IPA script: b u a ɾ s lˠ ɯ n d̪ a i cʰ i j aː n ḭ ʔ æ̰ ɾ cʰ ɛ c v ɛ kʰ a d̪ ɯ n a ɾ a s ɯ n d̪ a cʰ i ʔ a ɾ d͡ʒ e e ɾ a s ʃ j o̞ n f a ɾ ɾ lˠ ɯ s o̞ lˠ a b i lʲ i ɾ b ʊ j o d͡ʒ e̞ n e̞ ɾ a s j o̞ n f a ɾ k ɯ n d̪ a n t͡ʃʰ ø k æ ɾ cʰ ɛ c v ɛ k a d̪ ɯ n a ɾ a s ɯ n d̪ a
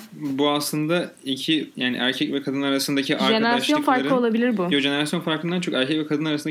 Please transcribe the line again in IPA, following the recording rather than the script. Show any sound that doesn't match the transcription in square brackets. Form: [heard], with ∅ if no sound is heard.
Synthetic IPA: b u a [∅] s lˠ ɯ n d̪ a i cʰ i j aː n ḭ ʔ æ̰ ɾ cʰ ɛ c v ɛ kʰ a d̪ ɯ n a ɾ a s ɯ n d̪ a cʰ i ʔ a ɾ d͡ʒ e e ɾ a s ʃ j o̞ n f a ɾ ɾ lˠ ɯ [∅] o̞ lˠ a b i lʲ i ɾ b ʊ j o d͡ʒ e̞ n e̞ ɾ a s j o̞ n f a ɾ k ɯ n d̪ a n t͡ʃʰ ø k æ ɾ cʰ ɛ c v ɛ k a d̪ ɯ n a ɾ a s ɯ n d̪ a